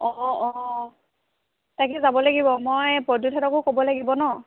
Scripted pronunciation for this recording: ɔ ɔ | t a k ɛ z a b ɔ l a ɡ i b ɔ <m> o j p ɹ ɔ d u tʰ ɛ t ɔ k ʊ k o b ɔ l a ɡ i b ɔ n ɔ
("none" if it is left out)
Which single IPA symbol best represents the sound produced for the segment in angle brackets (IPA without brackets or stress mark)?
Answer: m